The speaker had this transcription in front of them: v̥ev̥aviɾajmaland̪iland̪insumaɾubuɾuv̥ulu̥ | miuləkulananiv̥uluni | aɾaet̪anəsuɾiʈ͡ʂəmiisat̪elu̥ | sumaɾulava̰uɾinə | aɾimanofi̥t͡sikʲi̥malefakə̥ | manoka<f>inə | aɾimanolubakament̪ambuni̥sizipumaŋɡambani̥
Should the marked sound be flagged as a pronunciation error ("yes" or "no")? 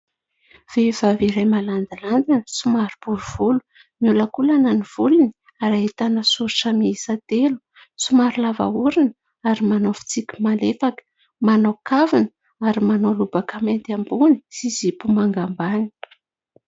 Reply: yes